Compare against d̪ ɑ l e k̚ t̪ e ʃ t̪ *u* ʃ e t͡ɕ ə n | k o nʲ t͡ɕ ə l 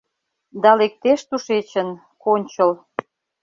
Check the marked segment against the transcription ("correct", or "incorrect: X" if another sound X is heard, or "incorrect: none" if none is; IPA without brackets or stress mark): correct